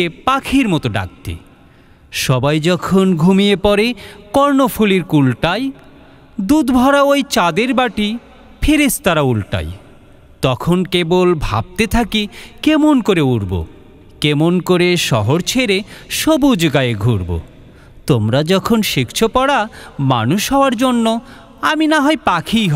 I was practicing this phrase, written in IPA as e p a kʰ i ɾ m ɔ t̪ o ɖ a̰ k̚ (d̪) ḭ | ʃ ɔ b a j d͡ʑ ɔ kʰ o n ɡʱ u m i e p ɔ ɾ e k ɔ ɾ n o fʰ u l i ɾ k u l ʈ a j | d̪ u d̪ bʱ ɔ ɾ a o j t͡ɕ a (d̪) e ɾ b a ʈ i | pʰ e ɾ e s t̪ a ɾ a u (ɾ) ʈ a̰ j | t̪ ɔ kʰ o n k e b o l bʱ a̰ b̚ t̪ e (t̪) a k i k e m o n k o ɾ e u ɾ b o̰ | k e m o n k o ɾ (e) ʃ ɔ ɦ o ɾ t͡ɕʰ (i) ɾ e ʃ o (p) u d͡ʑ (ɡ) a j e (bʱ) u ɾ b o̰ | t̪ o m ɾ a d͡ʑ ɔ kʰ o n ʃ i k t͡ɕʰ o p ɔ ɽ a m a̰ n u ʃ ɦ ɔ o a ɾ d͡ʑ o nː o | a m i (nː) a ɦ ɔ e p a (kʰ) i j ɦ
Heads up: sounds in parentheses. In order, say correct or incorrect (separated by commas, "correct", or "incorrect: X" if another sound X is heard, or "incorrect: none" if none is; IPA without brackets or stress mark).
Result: incorrect: t̪, correct, incorrect: l, incorrect: t̪ʰ, correct, incorrect: e, incorrect: b, correct, incorrect: ɡʱ, incorrect: n, correct